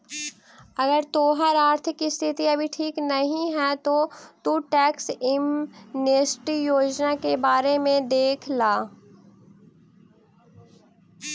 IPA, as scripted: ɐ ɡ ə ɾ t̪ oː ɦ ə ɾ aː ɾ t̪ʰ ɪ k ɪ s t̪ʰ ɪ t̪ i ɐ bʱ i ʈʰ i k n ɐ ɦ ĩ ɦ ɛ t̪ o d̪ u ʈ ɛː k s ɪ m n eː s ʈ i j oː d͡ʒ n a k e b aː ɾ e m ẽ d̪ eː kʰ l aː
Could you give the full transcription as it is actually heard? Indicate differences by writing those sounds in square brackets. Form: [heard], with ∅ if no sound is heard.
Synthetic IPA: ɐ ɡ ə ɾ t̪ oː ɦ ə ɾ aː ɾ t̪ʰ ɪ k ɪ s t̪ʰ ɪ t̪ i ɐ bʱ i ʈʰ [iː] k n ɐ ɦ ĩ ɦ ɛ t̪ o [t̪] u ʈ ɛː k s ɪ m n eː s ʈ i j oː d͡ʒ n a k e b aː ɾ e m ẽ d̪ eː kʰ l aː